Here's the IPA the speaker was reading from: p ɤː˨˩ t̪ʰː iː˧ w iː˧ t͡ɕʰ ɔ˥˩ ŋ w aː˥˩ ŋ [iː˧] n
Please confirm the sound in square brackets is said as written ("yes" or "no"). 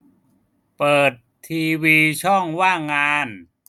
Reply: no